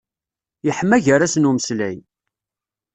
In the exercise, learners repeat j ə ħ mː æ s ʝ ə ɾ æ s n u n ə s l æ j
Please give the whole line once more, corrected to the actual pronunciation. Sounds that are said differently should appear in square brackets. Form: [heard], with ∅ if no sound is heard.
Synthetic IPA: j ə ħ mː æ [∅] ʝ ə ɾ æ s n u [m] ə s l æ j